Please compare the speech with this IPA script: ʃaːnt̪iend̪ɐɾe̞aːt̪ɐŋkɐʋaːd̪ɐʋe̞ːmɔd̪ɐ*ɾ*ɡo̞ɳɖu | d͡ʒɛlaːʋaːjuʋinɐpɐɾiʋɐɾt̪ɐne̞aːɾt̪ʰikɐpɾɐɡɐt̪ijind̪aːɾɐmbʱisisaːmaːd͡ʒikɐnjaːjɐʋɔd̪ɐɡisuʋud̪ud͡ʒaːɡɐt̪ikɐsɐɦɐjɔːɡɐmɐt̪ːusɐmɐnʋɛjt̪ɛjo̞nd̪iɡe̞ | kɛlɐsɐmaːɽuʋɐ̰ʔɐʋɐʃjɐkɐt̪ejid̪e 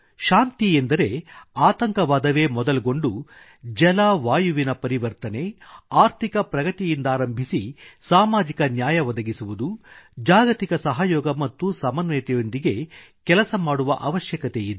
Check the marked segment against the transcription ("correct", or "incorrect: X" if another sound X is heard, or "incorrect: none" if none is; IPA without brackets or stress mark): incorrect: l